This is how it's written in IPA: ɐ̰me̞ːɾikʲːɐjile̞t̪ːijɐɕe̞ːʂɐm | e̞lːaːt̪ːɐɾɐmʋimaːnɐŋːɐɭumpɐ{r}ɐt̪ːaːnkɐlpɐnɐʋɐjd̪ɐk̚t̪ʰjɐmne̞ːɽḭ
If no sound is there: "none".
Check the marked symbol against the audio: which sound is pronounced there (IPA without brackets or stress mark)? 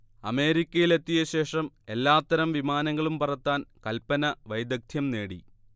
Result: r